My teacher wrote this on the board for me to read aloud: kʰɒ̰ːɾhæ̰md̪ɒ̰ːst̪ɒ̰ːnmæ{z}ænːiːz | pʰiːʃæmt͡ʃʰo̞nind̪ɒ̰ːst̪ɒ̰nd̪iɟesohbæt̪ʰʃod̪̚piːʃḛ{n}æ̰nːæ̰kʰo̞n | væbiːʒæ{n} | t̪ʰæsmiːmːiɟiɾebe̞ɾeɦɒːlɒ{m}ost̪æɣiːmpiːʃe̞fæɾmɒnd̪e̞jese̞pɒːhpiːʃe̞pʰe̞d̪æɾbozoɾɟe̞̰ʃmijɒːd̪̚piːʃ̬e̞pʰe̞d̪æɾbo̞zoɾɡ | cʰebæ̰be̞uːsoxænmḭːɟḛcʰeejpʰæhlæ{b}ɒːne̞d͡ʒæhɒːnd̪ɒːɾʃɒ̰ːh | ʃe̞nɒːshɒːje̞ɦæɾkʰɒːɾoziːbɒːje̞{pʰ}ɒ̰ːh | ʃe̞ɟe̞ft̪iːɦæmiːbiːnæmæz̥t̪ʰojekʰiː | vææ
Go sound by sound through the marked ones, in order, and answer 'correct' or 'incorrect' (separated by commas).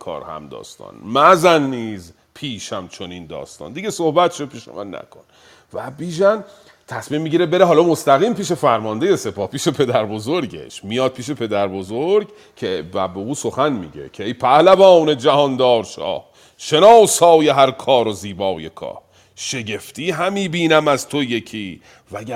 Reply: correct, incorrect, correct, correct, incorrect, incorrect